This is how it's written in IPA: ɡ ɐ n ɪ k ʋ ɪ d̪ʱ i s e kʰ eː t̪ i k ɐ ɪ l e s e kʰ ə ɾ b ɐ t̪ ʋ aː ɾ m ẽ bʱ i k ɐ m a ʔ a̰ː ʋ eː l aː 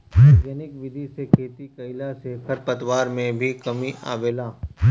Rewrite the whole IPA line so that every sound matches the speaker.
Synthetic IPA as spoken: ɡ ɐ n ɪ k ʋ ɪ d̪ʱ i s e kʰ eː t̪ i k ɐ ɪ l a s e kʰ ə ɾ p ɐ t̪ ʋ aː ɾ m ẽ bʱ i k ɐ m i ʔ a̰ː ʋ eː l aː